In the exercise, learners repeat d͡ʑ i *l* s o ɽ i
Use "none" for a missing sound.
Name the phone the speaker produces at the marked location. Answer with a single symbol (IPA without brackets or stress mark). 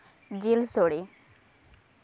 l